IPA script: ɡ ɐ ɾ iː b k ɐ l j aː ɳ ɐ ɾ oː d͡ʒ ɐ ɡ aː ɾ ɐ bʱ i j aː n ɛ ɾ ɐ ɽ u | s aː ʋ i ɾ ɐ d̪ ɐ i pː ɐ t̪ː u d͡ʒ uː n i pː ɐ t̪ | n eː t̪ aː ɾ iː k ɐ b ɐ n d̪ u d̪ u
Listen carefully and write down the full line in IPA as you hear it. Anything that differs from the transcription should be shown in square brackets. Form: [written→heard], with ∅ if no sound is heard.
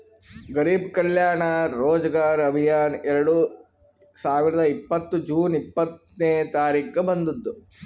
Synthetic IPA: ɡ ɐ ɾ iː b k ɐ l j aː ɳ ɐ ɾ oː d͡ʒ ɐ ɡ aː ɾ ɐ bʱ i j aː n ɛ ɾ ɐ ɽ u | s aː ʋ i ɾ ɐ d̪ ɐ i pː ɐ t̪ː u d͡ʒ uː n i pː ɐ t̪ | n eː t̪ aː ɾ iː k ɐ b ɐ n d̪ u [d̪→d̪ː] u

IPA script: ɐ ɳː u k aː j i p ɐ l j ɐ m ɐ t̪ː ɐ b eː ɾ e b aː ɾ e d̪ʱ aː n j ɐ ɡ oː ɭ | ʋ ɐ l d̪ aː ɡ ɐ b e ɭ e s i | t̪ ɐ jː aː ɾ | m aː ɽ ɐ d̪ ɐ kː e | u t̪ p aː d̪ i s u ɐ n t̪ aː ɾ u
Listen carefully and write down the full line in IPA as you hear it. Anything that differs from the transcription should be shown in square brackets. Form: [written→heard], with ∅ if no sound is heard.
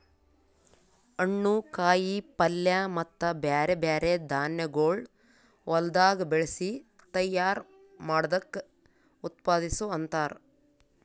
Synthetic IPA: ɐ ɳː u k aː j i p ɐ l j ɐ m ɐ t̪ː ɐ b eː ɾ e b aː ɾ e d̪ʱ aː n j ɐ ɡ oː ɭ | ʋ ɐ l d̪ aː ɡ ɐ b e ɭ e s i | t̪ ɐ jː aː ɾ | m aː ɽ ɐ d̪ ɐ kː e | u t̪ p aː d̪ i s u ɐ n t̪ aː ɾ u

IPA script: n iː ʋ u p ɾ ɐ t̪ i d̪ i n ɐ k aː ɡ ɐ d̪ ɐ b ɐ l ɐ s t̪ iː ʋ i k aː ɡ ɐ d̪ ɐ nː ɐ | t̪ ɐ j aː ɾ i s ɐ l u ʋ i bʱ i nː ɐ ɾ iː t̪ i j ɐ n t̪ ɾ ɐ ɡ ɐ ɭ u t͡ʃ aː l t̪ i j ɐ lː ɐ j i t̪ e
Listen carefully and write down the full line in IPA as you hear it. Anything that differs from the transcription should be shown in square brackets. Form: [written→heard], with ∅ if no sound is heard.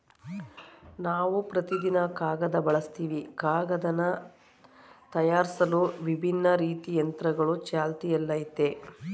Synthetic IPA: n [iː→aː] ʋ u p ɾ ɐ t̪ i d̪ i n ɐ k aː ɡ ɐ d̪ ɐ b ɐ [l→ɭ] ɐ s t̪ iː ʋ i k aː ɡ ɐ d̪ ɐ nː ɐ | t̪ ɐ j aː ɾ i s ɐ l u ʋ i bʱ i nː ɐ ɾ iː t̪ i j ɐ n t̪ ɾ ɐ ɡ ɐ ɭ u t͡ʃ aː l t̪ i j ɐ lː ɐ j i t̪ e

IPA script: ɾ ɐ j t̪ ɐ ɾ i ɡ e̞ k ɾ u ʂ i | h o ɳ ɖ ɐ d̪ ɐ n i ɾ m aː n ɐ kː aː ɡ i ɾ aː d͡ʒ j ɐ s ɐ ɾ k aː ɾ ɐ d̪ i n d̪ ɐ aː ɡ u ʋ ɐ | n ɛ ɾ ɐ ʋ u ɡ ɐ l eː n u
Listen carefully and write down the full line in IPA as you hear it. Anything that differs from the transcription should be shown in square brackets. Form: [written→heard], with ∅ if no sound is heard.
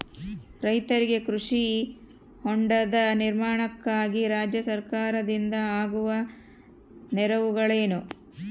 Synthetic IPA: ɾ ɐ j t̪ ɐ ɾ i ɡ e̞ k ɾ u ʂ i | h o ɳ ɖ ɐ d̪ ɐ n i ɾ m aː [n→ɳ] ɐ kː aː ɡ i ɾ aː d͡ʒ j ɐ s ɐ ɾ k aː ɾ ɐ d̪ i n d̪ ɐ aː ɡ u ʋ ɐ | n ɛ ɾ ɐ ʋ u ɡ ɐ [l→ɭ] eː n u

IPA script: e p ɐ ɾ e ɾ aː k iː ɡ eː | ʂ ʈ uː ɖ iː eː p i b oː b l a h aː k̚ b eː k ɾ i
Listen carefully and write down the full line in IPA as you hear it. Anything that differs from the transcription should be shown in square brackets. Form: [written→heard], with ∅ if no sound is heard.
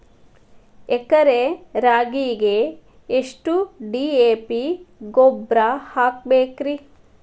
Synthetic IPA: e [p→k] ɐ ɾ e ɾ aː [k→ɡ] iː ɡ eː | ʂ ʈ [uː→u] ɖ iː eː p i [b→ɡ] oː b [l→ɾ] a h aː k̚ b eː k ɾ i

